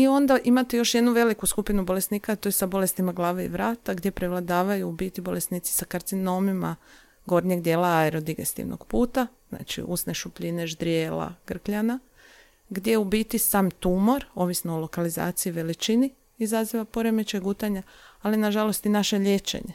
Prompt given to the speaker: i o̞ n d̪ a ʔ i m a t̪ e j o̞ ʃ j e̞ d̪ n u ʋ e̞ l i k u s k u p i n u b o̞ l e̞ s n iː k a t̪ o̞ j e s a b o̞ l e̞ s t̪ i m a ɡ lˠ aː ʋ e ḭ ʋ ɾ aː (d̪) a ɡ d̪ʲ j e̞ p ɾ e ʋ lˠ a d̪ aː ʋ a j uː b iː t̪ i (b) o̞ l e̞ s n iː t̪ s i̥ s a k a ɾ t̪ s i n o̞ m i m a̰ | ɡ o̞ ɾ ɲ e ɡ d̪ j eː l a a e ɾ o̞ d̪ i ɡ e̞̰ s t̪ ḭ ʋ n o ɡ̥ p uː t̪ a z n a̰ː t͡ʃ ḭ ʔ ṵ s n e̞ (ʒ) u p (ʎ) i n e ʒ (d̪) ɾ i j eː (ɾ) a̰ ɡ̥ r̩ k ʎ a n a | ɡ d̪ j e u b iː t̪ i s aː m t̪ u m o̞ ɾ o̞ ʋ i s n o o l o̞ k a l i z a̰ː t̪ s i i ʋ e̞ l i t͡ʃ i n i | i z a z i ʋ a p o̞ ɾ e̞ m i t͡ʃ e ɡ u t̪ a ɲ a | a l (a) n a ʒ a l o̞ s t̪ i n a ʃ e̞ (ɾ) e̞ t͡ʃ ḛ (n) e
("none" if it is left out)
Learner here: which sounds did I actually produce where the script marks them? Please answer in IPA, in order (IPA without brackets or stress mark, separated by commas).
t̪, b, ʃ, ʎ, d̪, l, i, ʎ, ɲ